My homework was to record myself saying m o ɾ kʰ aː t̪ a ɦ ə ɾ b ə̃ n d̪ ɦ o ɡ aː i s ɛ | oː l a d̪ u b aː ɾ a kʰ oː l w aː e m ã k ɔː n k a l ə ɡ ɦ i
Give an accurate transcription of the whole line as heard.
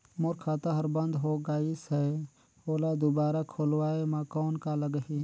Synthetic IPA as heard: m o ɾ kʰ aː t̪ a ɦ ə ɾ b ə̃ n d̪ ɦ o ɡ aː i s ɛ | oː l a d̪ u b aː ɾ a kʰ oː l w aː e m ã k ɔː n k a l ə ɡ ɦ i